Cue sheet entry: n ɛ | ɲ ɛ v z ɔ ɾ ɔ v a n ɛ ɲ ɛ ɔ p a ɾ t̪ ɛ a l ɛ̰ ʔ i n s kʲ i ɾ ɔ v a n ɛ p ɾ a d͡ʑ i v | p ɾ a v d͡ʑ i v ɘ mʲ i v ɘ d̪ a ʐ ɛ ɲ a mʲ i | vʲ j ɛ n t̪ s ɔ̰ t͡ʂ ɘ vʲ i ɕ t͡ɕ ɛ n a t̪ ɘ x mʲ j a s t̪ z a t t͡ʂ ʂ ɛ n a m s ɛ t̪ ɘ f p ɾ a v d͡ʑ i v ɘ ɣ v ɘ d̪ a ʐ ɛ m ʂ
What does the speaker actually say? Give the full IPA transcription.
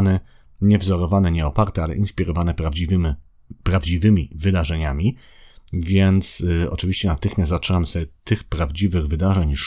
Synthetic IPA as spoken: n ɛ | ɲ ɛ v z ɔ ɾ ɔ v a n ɛ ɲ ɛ ɔ p a ɾ t̪ ɛ a l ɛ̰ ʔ i n s pʲ i ɾ ɔ v a n ɛ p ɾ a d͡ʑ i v | p ɾ a v d͡ʑ i v ɘ mʲ i v ɘ d̪ a ʐ ɛ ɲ a mʲ i | vʲ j ɛ n t̪ s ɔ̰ t͡ʂ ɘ vʲ i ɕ t͡ɕ ɛ n a t̪ ɘ x mʲ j a s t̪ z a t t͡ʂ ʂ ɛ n a m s ɛ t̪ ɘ x p ɾ a v d͡ʑ i v ɘ ɣ v ɘ d̪ a ʐ ɛ ɲ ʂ